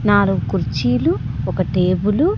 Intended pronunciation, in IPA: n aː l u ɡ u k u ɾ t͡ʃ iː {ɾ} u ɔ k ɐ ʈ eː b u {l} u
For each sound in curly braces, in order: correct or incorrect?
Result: incorrect, correct

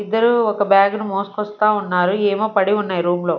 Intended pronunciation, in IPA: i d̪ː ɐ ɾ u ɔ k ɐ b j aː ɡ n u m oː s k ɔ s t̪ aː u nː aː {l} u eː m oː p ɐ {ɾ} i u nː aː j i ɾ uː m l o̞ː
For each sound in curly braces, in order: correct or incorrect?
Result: incorrect, incorrect

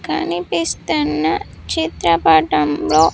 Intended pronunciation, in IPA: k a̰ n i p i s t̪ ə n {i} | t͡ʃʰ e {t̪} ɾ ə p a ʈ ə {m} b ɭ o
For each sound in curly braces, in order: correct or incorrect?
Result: incorrect, correct, correct

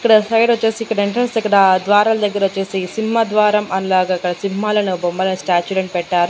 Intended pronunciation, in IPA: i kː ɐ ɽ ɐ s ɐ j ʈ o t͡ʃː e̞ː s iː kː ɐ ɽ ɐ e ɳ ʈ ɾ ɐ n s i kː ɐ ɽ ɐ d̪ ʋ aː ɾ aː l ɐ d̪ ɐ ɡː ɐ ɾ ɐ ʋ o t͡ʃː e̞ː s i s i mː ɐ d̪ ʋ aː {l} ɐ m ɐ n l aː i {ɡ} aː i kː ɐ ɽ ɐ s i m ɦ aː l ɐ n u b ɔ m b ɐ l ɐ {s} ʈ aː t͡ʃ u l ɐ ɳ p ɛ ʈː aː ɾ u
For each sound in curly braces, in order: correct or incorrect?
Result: incorrect, correct, correct

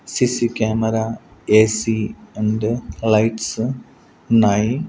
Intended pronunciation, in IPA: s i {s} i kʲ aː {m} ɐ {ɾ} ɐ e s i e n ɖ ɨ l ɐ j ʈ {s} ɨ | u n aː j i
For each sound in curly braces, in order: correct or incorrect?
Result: correct, correct, correct, correct

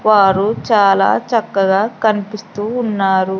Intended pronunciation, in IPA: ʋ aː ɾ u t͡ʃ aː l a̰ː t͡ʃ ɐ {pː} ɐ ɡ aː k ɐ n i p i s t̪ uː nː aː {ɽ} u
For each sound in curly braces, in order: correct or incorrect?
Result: incorrect, incorrect

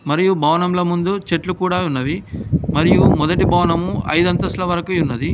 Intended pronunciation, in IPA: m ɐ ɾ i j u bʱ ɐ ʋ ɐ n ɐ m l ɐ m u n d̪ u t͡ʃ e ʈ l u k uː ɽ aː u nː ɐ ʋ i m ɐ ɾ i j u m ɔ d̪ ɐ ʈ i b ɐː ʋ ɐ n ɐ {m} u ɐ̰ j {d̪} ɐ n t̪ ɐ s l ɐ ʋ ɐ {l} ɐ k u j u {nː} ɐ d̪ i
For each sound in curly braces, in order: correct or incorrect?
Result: correct, correct, incorrect, correct

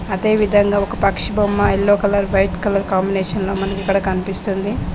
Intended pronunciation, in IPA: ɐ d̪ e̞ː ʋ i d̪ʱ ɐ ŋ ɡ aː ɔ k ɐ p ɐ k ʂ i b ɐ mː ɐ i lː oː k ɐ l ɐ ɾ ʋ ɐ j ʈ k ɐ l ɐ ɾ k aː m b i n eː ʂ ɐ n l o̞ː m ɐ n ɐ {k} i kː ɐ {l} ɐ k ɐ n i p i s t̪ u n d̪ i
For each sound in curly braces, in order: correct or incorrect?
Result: correct, incorrect

